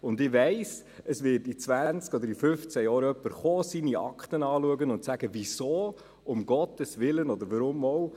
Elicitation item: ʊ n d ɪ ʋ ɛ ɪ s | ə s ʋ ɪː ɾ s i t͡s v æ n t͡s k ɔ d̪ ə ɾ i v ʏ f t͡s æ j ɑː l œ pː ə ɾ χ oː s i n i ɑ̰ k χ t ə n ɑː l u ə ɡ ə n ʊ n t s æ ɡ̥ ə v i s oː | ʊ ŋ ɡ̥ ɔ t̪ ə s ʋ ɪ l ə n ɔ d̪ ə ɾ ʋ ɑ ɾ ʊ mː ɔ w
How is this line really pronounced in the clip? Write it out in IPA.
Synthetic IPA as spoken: ʊ n d ɪ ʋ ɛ ɪ s | ə s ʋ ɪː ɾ t i t͡s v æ n t͡s k ɔ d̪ ə ɾ i f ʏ f t͡s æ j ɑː ɾ œ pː ə ɾ χ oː s i n i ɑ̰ k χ t ə n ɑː l u ə ɡ ə n ʊ n t s æ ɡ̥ ə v i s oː | ʊ m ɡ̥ ɔ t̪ ə s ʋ ɪ l ə n ɔ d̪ ə ɾ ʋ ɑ ɾ ʊ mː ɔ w